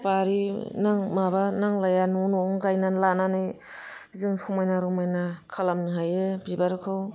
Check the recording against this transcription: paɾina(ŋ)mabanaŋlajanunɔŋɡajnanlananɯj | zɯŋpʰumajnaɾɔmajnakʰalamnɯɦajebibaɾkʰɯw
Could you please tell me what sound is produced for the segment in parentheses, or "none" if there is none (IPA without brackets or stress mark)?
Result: ŋ